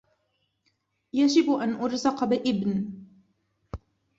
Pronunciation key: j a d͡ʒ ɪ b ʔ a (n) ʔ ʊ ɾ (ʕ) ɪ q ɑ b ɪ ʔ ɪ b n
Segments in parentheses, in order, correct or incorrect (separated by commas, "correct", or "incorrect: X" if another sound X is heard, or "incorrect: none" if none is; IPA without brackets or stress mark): correct, incorrect: z